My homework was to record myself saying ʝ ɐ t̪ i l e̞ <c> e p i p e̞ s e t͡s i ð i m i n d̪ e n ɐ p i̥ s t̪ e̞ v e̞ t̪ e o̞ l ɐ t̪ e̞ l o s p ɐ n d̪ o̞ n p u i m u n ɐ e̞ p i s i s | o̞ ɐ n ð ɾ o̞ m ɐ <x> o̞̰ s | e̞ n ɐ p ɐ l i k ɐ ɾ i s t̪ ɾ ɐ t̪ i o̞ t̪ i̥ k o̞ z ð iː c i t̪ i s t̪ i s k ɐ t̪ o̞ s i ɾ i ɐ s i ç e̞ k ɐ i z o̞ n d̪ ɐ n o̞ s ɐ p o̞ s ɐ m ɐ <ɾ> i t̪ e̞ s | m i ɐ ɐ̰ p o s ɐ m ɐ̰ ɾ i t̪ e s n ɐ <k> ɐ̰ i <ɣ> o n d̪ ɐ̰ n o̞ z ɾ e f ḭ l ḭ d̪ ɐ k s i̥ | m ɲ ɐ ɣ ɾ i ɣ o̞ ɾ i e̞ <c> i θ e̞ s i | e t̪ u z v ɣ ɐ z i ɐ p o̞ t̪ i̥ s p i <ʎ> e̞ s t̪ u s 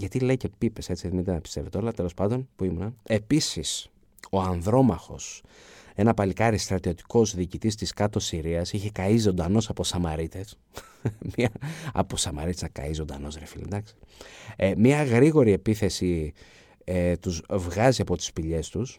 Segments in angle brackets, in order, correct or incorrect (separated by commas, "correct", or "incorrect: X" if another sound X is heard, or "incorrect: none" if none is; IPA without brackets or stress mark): correct, correct, correct, correct, incorrect: z, incorrect: p, correct